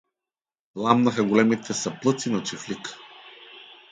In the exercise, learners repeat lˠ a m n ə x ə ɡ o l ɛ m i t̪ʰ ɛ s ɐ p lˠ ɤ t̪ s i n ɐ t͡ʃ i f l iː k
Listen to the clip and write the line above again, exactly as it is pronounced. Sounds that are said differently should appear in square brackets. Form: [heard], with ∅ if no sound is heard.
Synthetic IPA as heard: lˠ a m n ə x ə ɡ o l ɛ m i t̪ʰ ɛ s ɐ p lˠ ɤ t̪ s i n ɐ t͡ʃ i f l [i] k